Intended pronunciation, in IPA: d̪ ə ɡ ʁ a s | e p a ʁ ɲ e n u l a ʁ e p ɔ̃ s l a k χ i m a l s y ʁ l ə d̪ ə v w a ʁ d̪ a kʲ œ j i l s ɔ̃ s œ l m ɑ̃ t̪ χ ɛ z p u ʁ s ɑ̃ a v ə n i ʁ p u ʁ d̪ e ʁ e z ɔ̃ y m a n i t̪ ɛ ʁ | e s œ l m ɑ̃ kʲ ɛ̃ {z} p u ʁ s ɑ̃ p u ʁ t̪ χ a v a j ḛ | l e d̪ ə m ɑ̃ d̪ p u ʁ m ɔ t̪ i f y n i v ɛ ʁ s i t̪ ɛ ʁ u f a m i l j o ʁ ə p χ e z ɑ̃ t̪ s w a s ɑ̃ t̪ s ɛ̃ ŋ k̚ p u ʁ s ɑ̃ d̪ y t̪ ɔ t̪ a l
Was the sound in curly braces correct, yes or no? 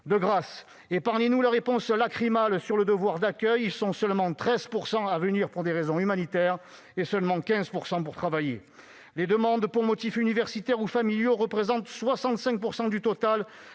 yes